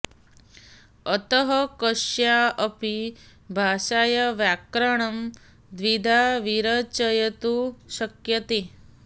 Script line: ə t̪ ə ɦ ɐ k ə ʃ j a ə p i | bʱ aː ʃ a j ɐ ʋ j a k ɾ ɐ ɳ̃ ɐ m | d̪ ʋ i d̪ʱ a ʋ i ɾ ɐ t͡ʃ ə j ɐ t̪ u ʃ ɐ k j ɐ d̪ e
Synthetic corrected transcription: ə t̪ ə ɦ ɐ k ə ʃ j a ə p i | bʱ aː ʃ a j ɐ ʋ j a k ɾ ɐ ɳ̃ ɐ m | d̪ ʋ i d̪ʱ a ʋ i ɾ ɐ t͡ʃ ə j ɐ t̪ u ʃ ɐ k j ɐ t̪ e